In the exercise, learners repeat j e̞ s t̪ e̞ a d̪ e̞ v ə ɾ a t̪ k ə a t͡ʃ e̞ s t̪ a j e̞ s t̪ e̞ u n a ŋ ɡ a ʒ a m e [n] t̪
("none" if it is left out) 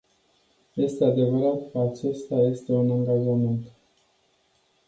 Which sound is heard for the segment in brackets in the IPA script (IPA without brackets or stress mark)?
n